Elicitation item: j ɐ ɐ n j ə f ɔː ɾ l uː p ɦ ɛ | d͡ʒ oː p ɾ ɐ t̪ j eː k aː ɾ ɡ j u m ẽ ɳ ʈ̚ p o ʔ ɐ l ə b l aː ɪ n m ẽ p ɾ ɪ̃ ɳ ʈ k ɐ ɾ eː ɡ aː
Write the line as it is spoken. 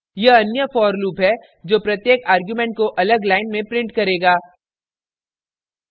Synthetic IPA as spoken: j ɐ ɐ n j ə f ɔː ɾ l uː p ɦ ɛ | d͡ʒ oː p ɾ ɐ t̪ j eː k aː ɾ ɡ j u m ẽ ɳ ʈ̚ k o ʔ ɐ l ə ɡ l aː ɪ n m ẽ p ɾ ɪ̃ ɳ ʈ k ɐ ɾ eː ɡ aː